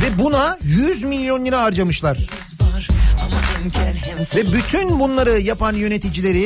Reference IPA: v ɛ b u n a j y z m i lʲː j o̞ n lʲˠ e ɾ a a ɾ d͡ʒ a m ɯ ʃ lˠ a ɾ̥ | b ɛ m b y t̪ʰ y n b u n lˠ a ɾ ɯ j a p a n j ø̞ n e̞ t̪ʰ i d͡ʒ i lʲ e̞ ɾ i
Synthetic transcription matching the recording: v ɛ b u n a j y z m i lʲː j o̞ n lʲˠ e ɾ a a ɾ d͡ʒ a m ɯ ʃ lˠ a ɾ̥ | v ɛ b y t̪ʰ y n b u n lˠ a ɾ ɯ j a p a n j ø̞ n e̞ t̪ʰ i d͡ʒ i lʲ e̞ ɾ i